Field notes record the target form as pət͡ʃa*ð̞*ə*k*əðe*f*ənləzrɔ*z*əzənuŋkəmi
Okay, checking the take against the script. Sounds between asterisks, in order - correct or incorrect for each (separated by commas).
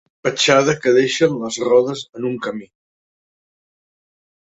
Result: correct, correct, incorrect, incorrect